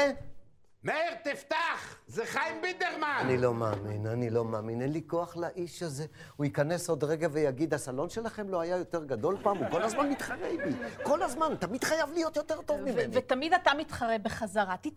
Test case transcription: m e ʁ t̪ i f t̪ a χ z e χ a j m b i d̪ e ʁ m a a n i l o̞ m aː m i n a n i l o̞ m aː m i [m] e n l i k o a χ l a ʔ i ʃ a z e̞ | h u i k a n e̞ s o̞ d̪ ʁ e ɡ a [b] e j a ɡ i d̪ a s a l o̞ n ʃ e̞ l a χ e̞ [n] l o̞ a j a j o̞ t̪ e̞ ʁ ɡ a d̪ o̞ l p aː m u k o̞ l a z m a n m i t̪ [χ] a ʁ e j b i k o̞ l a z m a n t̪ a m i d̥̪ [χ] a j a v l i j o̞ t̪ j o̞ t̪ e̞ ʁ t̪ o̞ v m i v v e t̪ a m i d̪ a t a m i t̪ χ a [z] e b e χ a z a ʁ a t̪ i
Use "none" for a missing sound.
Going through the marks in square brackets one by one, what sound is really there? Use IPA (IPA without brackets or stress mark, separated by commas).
n, v, m, χ, χ, ʁ